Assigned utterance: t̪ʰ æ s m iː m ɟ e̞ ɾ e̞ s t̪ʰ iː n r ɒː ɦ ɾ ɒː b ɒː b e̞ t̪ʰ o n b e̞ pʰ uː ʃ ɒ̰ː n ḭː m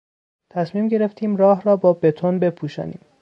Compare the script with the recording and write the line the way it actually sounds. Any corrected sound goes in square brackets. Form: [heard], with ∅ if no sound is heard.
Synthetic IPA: t̪ʰ æ s m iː m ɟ e̞ ɾ e̞ [f] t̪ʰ iː [m] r ɒː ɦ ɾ ɒː b ɒː b e̞ t̪ʰ o n b e̞ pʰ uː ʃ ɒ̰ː n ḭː m